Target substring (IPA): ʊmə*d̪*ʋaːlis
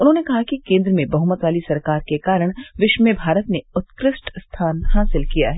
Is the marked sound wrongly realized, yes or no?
yes